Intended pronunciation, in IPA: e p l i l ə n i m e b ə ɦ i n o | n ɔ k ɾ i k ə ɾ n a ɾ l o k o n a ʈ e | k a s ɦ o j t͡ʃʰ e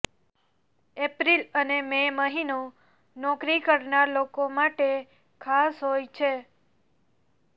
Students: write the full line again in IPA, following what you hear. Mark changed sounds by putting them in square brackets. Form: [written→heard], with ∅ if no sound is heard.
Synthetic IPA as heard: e p [l→ɾ] i l ə n [i→e] m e [b→m] ə ɦ i n o | n ɔ k ɾ i k ə ɾ n a ɾ l o k o [n→m] a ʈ e | [k→kʰ] a s ɦ o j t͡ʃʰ e